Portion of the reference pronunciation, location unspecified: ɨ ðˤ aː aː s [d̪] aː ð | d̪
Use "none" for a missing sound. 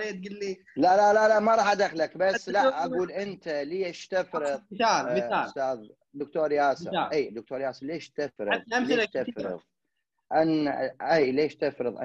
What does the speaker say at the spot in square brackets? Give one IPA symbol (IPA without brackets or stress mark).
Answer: t̪